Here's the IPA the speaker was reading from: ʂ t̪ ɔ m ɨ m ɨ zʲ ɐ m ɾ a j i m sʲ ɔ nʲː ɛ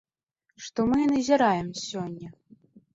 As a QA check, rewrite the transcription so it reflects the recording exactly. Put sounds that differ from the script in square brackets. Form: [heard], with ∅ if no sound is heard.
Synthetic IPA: ʂ t̪ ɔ m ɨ [n] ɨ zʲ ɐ [∅] ɾ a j [ɛ] m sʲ ɔ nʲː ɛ